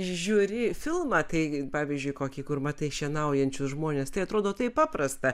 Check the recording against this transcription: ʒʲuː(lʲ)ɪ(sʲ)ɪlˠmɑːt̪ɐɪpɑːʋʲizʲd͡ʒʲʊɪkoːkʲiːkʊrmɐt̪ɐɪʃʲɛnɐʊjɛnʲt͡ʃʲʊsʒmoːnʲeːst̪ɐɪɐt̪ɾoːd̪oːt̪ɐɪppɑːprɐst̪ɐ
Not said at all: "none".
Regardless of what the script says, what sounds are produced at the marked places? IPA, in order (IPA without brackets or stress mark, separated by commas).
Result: ɾʲ, fʲ